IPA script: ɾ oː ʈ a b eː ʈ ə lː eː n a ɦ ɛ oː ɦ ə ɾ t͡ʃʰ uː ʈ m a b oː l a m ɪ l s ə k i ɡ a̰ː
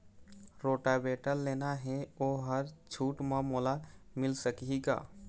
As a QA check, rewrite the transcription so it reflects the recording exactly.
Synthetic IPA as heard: ɾ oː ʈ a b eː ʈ ə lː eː n a ɦ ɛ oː ɦ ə ɾ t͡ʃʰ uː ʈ m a m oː l a m ɪ l s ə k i ɡ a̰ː